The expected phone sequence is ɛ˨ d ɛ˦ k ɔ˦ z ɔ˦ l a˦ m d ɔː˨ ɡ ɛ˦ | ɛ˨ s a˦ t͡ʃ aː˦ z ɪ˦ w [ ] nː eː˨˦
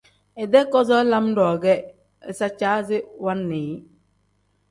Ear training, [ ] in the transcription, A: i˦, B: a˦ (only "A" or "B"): B